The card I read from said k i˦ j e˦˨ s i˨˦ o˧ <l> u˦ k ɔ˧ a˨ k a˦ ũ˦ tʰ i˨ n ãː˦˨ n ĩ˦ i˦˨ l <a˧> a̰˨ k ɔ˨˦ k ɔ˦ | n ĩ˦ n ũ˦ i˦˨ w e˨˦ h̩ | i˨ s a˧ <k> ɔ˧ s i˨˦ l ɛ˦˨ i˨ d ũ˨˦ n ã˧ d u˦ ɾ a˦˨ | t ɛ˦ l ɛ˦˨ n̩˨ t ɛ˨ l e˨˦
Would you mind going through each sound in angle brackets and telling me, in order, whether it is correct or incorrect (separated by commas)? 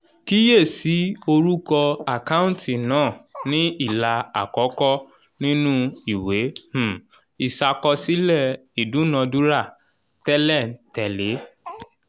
incorrect, correct, correct